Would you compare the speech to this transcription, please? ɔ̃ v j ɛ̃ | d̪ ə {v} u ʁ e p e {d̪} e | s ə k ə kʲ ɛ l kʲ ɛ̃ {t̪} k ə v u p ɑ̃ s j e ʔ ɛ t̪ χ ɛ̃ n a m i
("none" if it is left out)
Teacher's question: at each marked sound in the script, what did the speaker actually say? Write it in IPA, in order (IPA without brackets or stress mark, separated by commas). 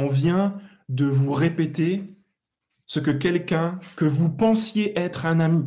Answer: v, t̪, none